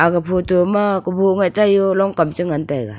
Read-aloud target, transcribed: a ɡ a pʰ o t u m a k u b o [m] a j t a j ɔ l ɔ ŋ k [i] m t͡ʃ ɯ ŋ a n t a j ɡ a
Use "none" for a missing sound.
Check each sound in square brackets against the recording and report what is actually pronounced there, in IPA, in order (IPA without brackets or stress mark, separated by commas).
ŋ, a